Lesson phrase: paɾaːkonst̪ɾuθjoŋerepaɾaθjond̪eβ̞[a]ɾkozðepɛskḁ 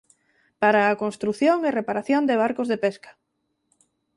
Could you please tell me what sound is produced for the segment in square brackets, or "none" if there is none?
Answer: a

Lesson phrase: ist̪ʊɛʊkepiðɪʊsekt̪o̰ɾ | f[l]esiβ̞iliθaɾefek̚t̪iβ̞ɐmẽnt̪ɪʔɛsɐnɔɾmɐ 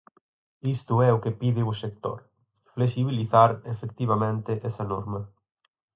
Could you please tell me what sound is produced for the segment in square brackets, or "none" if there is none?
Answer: l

